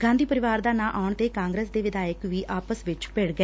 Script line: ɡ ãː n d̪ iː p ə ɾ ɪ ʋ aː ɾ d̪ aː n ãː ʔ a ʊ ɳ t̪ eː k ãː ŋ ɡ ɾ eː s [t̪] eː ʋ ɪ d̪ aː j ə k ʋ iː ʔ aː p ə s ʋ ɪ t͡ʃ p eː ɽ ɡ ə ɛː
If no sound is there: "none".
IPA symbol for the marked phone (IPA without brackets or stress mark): d̪